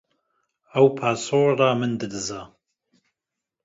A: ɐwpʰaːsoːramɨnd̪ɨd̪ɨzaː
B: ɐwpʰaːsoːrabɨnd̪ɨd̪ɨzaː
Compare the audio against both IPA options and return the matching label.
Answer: A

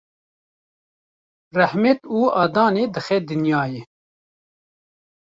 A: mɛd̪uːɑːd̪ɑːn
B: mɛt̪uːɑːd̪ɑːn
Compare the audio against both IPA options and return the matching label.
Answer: B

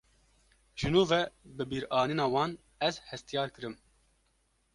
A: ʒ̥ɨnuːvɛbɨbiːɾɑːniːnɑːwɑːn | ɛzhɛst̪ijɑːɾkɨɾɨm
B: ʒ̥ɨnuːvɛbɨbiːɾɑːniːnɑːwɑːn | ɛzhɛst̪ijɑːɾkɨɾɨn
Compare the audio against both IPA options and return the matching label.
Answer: A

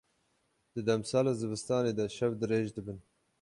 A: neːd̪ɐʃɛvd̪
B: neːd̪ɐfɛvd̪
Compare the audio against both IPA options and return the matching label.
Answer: A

